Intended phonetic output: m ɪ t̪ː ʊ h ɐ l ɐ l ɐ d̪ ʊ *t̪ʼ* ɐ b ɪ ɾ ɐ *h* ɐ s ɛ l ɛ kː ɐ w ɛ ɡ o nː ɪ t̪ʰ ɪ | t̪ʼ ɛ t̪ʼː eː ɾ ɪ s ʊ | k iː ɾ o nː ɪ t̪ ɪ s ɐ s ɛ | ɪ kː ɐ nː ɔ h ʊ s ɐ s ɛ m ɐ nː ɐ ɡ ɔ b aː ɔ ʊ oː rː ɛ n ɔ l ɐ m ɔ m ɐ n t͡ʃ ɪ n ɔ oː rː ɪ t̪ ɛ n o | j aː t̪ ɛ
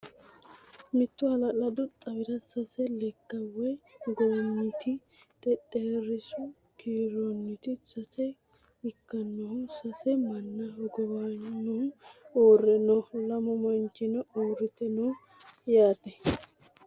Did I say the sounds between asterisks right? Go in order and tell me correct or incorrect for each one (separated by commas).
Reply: correct, incorrect